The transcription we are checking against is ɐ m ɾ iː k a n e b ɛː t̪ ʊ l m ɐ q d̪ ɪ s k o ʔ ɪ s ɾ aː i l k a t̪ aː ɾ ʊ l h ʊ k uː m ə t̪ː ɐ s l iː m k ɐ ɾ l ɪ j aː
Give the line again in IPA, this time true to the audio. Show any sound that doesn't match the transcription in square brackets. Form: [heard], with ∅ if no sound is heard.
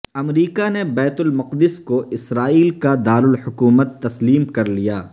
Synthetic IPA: ɐ m ɾ iː k a n e b ɛː t̪ ʊ l m ɐ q d̪ ɪ s k o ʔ ɪ s ɾ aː [iː] l k a [d̪] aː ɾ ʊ l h ʊ k uː m ə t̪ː ɐ s l iː m k ɐ ɾ l [i] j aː